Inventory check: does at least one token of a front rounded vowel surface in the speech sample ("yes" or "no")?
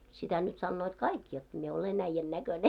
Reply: yes